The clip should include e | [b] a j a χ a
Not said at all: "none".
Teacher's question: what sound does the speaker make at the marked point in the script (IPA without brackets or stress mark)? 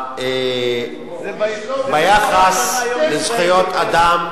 b